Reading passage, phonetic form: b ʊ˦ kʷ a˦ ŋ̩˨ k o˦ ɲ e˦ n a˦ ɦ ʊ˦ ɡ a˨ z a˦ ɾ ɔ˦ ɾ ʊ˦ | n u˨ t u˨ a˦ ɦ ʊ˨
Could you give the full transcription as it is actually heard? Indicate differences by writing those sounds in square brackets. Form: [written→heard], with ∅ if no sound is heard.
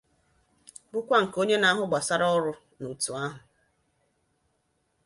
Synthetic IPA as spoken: b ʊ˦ kʷ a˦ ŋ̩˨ k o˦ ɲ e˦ n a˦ ɦ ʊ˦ [ɡ→ɡ͡b] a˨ [z→s] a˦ ɾ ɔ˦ ɾ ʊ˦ | n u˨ t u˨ a˦ ɦ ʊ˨